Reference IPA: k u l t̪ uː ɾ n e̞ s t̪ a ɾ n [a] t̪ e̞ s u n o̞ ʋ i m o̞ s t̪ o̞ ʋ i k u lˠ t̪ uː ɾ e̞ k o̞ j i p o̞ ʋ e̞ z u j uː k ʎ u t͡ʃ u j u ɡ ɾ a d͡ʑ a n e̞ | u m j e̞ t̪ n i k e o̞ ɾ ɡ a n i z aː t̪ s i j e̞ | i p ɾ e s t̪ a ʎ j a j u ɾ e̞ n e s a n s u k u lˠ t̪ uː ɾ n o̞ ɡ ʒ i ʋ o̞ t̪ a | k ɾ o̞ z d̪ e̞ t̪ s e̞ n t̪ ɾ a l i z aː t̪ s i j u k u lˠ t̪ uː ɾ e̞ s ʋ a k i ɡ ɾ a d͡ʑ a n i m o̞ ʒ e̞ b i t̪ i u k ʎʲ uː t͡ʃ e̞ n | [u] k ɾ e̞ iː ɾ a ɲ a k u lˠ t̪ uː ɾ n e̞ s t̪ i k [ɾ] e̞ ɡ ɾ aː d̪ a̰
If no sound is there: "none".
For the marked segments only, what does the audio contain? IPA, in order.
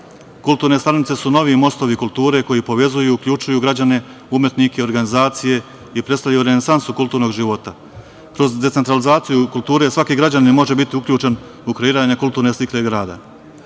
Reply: i, u, l

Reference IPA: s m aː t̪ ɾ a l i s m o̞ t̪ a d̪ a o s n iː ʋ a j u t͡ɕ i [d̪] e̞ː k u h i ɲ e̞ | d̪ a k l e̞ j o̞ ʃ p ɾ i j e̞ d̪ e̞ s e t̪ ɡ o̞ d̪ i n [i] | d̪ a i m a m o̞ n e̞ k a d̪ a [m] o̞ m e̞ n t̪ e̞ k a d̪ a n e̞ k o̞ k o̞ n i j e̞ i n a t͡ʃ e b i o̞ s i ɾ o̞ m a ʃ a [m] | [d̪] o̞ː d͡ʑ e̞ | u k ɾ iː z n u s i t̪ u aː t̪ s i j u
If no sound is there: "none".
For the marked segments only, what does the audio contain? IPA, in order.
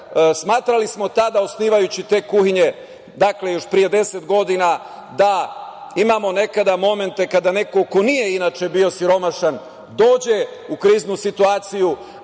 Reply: t̪, a, m, n, d̪

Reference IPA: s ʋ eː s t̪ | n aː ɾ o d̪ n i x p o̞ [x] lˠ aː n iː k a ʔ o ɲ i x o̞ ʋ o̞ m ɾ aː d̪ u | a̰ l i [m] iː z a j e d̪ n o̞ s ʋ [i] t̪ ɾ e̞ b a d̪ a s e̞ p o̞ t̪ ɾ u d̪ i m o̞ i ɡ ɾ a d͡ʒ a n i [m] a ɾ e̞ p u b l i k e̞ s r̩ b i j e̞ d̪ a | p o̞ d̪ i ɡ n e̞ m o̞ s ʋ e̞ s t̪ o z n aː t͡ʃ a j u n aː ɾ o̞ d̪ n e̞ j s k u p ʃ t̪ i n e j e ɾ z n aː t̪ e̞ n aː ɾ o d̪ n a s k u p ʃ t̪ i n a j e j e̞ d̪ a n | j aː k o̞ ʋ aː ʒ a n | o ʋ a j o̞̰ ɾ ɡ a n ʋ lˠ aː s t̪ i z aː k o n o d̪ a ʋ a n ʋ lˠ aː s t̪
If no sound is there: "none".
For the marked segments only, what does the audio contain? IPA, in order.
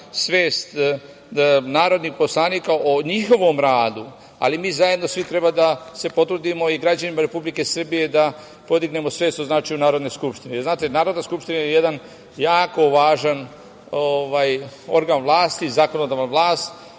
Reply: s, m, i, m

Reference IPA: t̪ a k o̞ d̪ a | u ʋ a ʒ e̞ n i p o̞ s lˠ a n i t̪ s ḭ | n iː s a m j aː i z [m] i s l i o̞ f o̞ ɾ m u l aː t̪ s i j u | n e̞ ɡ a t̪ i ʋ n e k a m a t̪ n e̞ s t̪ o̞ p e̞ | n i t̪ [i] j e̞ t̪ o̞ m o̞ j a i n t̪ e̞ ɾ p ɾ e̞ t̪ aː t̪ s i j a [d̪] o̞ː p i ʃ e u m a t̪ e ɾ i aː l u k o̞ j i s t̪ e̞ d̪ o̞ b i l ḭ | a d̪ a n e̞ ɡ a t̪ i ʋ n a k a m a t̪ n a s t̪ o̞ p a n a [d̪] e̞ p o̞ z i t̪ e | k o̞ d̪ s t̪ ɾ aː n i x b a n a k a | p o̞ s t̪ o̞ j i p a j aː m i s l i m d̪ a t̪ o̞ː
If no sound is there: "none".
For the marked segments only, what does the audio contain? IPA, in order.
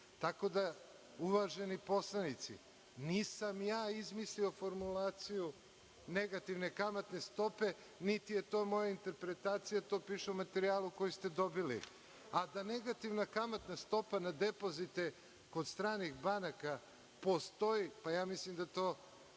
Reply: m, i, t̪, d̪

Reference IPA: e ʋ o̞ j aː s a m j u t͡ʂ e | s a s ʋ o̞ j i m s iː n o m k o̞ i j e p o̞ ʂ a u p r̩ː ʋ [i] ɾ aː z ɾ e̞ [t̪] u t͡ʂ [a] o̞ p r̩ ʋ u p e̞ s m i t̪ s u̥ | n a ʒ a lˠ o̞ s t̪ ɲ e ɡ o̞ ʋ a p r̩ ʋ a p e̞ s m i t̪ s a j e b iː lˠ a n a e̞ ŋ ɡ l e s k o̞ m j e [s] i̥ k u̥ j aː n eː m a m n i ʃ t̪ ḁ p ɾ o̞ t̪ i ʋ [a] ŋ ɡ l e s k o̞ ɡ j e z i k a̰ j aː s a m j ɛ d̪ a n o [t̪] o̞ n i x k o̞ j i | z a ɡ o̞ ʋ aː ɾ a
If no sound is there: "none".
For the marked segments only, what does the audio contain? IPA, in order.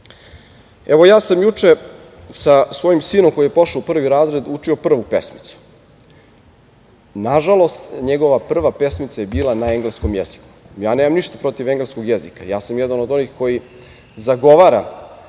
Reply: i, d̪, i, z, e, d̪

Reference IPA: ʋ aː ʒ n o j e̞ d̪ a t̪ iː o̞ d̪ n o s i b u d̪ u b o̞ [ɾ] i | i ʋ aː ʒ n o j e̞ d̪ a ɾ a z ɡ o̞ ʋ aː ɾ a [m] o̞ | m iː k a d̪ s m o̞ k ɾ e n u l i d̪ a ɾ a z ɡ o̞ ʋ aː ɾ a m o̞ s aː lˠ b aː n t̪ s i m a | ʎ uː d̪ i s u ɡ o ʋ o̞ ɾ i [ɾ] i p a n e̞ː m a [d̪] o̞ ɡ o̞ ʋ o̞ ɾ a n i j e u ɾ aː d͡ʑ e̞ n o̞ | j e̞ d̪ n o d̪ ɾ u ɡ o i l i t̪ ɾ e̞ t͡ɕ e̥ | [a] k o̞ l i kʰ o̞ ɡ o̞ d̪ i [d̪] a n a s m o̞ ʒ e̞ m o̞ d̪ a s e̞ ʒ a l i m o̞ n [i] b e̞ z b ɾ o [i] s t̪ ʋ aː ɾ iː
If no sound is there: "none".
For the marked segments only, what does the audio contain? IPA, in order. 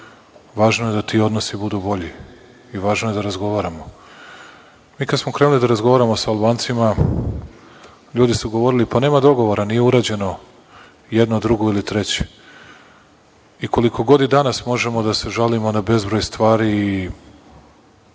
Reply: ʎ, m, l, d̪, i, d̪, a, j

